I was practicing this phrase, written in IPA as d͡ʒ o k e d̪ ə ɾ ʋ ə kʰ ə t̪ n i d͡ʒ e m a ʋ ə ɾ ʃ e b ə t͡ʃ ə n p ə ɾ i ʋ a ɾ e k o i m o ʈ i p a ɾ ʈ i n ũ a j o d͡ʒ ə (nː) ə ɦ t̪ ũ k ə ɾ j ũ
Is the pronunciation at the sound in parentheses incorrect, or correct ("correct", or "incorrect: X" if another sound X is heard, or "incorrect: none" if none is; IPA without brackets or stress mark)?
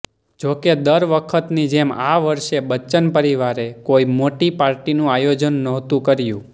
correct